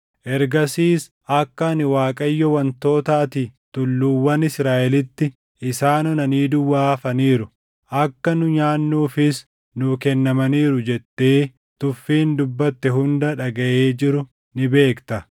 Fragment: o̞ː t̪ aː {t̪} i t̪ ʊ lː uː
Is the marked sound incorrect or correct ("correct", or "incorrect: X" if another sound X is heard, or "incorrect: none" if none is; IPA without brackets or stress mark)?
correct